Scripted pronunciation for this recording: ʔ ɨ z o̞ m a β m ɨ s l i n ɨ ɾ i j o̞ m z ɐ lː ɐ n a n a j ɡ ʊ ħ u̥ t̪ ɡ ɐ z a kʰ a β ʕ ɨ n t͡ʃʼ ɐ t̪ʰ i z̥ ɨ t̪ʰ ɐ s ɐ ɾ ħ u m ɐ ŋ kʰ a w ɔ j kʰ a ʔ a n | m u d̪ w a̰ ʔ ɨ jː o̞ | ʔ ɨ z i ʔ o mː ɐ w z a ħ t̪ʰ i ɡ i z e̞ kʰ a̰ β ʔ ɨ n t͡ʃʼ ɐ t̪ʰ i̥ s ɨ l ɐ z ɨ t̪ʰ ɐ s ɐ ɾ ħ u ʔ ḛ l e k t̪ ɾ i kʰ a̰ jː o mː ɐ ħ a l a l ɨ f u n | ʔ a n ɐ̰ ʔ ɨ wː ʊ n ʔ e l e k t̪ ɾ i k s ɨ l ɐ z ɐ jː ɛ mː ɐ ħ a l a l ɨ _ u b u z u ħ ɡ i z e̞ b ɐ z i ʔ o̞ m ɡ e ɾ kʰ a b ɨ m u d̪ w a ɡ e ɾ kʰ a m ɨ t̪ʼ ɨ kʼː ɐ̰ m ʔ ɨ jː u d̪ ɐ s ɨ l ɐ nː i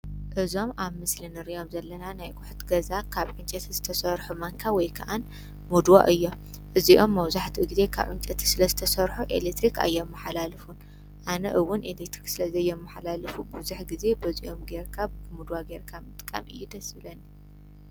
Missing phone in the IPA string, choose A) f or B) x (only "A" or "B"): A